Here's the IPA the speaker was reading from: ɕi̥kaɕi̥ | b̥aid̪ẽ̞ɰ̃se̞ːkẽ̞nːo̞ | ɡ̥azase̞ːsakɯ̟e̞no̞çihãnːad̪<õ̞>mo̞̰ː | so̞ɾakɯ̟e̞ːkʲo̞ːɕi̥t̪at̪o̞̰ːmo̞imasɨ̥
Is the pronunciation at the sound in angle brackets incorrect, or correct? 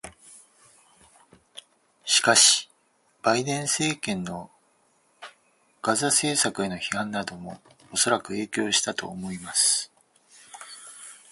incorrect